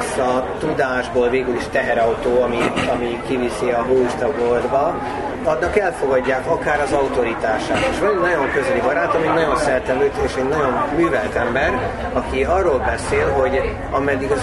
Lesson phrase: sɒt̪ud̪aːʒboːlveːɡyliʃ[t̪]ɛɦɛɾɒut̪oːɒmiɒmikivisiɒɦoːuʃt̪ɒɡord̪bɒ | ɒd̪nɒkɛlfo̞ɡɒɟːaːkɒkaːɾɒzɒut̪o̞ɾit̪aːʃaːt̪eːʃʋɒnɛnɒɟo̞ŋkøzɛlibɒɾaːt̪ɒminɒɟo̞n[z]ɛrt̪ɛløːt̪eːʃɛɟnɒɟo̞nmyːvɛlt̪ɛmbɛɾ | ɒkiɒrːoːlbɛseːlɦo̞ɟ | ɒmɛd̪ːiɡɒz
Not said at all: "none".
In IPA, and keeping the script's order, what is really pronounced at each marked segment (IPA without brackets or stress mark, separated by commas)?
t̪, s